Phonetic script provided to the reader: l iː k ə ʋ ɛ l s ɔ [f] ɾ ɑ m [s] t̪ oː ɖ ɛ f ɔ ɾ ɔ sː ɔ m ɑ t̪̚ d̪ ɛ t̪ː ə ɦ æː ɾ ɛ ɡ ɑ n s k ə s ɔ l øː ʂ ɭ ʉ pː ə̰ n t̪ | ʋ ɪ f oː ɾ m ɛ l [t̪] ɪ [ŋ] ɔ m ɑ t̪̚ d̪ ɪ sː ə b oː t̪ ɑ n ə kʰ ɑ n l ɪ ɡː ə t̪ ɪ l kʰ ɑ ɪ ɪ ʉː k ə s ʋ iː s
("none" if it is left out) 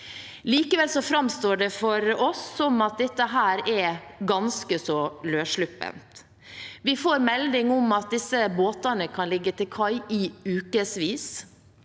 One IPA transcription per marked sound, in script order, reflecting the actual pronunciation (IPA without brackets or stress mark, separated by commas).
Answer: f, s, d̪, ŋ